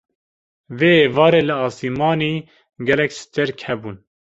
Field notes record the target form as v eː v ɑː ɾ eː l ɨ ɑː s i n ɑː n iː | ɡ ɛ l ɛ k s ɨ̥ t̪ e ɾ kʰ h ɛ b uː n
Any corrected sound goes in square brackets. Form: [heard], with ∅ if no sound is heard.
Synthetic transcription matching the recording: v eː v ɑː ɾ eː l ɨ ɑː s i [m] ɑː n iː | ɡ ɛ l ɛ k s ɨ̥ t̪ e ɾ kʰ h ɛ b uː n